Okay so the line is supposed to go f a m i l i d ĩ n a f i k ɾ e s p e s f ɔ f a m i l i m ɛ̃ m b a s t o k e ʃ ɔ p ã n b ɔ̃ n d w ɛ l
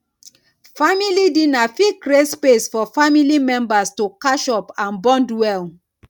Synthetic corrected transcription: f a m i l i d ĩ n a f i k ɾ e s p e s f ɔ f a m i l i m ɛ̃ m b a s t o k a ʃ ɔ p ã n b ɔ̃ n d w ɛ l